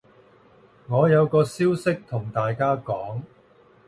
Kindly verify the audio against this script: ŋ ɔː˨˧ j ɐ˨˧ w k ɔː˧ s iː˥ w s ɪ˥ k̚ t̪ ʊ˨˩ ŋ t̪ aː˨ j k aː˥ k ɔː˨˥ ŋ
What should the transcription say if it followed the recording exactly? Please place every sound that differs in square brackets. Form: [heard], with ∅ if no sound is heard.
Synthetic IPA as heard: ŋ ɔː˨˧ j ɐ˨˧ w k ɔː˧ s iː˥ w s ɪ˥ k̚ [t̪ʰ] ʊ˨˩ ŋ t̪ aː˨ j k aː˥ k ɔː˨˥ ŋ